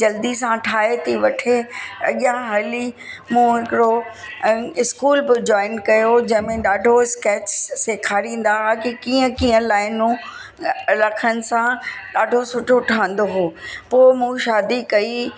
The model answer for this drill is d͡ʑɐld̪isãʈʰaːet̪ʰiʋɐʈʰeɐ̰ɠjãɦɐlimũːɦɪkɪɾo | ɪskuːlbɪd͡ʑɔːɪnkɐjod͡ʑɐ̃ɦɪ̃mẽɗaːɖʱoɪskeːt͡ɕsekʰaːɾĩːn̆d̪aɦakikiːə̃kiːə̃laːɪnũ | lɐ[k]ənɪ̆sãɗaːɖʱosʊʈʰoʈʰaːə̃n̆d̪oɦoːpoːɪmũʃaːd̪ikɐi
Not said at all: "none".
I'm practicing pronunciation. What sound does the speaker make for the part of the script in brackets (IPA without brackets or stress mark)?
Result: kʰ